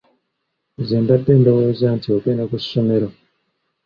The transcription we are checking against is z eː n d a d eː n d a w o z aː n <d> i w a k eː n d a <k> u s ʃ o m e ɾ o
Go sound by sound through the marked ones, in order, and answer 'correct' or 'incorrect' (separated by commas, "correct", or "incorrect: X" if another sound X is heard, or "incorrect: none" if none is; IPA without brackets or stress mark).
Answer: incorrect: t, correct